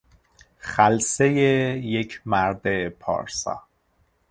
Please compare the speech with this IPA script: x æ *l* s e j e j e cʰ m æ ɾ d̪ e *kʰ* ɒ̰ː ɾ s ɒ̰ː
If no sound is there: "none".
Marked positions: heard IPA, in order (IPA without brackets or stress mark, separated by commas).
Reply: l, pʰ